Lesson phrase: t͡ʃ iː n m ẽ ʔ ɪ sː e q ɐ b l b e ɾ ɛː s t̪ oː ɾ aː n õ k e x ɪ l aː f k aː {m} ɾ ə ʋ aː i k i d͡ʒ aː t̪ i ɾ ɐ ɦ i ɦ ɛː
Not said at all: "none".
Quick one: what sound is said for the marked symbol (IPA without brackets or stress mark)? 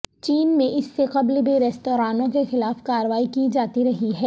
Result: none